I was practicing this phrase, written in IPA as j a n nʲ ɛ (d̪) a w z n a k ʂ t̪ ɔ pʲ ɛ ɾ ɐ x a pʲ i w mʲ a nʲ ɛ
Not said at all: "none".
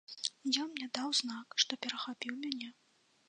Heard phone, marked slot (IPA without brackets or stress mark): d̪